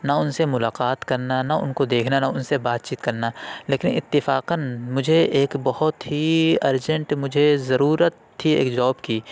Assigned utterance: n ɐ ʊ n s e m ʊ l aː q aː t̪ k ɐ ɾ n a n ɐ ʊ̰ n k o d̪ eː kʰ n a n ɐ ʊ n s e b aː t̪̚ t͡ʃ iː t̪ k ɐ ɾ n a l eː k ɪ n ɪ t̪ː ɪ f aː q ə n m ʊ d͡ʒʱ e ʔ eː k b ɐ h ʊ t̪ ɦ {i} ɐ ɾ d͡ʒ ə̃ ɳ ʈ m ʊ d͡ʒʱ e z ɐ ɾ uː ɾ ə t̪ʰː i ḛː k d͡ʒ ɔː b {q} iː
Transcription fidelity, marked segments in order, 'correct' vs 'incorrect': correct, incorrect: k

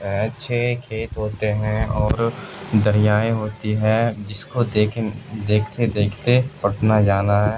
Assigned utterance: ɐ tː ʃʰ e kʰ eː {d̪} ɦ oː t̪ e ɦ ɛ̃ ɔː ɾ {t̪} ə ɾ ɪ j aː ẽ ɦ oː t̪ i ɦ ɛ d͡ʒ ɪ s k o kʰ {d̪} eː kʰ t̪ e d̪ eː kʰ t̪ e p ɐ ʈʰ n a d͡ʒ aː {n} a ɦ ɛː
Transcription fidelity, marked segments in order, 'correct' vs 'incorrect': incorrect: t̪, incorrect: d̪, correct, correct

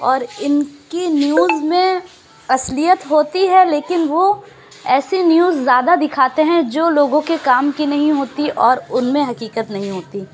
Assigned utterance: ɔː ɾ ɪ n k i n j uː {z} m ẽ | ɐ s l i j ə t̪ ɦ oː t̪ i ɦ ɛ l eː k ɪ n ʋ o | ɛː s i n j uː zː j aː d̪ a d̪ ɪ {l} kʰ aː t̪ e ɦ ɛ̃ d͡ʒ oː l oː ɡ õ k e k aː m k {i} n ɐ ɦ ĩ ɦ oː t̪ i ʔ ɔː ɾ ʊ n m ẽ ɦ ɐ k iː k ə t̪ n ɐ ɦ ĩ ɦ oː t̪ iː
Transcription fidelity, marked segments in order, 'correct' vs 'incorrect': correct, incorrect: none, correct

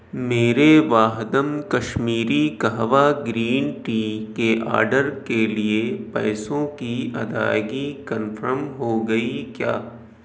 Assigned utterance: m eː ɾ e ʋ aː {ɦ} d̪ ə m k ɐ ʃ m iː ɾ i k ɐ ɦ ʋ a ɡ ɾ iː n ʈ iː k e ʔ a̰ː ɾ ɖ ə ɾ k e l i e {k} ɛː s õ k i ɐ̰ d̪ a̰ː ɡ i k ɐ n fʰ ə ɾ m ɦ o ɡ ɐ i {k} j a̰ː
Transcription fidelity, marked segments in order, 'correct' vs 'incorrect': correct, incorrect: p, correct

